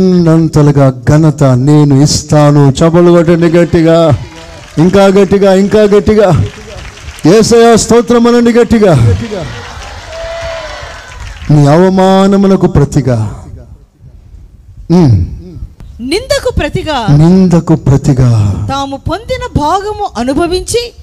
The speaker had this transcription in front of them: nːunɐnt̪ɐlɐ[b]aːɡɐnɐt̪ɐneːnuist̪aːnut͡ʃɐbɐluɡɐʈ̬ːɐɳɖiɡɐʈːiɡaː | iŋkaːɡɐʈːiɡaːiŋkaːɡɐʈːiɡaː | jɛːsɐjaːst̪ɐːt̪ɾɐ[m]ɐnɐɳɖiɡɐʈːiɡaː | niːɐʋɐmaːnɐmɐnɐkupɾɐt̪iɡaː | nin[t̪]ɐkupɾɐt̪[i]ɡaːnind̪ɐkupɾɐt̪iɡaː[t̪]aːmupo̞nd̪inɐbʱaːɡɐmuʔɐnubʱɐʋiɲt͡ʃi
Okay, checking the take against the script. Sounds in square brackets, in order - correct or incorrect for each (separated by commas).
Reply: incorrect, correct, incorrect, correct, correct